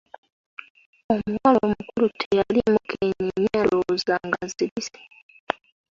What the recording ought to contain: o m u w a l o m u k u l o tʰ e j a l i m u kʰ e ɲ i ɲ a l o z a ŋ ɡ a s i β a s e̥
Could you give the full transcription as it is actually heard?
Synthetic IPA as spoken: o m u w a l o m u k u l u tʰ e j a l i m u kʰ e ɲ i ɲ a l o z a ŋ ɡ a z i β i s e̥